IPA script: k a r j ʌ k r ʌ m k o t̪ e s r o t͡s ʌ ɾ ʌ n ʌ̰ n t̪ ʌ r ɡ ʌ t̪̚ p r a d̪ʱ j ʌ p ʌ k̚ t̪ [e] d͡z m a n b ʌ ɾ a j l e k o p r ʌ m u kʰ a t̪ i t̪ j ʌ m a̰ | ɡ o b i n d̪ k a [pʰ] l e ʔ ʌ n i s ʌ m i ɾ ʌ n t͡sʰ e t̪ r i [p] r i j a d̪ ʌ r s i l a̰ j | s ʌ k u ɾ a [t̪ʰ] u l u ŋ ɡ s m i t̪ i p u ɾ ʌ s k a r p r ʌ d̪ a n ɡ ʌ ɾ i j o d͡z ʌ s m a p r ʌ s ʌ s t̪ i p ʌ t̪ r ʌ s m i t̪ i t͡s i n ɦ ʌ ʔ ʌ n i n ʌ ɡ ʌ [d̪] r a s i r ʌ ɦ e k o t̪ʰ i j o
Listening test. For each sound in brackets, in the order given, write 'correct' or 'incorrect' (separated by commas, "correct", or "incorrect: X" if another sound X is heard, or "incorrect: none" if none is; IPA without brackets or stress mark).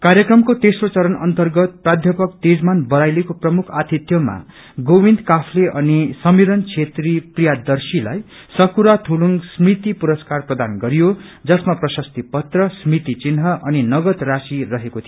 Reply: correct, correct, correct, correct, incorrect: t̪